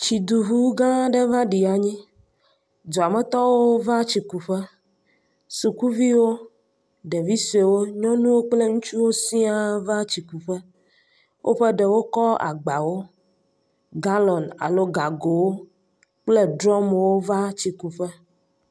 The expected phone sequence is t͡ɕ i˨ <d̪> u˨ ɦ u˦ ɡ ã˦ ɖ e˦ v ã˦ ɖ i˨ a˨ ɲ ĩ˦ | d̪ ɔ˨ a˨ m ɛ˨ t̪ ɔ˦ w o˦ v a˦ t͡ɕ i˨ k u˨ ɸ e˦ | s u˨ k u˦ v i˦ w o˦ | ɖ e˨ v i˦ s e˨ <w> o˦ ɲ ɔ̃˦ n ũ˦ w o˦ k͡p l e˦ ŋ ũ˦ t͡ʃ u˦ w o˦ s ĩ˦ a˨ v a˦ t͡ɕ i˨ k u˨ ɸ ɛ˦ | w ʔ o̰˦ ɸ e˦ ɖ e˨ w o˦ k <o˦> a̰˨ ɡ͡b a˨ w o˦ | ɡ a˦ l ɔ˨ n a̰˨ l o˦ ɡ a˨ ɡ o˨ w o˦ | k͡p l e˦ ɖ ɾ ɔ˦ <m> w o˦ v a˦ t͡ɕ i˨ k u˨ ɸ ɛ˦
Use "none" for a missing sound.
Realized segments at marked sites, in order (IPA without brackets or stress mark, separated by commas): d̪, w, ɔ˦, m